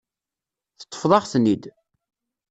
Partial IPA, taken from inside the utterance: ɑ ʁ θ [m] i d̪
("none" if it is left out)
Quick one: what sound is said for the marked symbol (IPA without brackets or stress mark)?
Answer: n